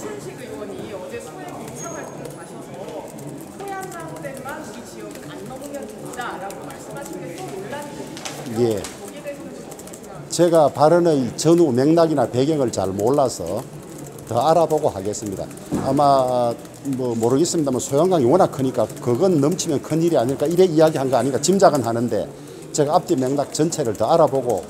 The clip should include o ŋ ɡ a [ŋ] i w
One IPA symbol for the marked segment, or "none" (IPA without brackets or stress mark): ŋ